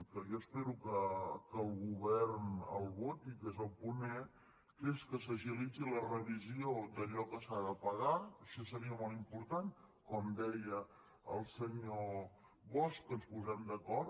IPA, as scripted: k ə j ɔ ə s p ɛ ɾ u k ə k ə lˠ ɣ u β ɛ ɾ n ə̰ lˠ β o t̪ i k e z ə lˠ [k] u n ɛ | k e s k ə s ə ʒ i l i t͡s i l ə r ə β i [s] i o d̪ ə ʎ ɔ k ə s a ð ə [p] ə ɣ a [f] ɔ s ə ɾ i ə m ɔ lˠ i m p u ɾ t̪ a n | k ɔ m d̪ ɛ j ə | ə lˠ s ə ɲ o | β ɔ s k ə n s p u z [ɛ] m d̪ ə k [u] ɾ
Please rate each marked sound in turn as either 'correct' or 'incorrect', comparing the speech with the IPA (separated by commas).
incorrect, incorrect, correct, incorrect, correct, incorrect